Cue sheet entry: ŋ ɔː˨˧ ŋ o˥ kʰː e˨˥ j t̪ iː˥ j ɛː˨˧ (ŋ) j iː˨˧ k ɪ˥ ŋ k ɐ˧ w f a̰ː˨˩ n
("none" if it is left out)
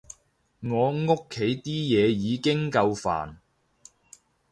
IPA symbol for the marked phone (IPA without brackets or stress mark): none